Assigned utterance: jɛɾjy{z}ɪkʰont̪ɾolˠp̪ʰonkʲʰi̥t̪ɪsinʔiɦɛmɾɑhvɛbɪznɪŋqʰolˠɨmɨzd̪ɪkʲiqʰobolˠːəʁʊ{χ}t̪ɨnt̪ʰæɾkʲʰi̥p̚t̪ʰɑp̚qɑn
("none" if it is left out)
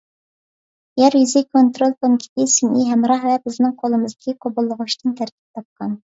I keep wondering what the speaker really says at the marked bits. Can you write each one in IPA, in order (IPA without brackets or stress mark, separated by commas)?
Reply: z, ʃ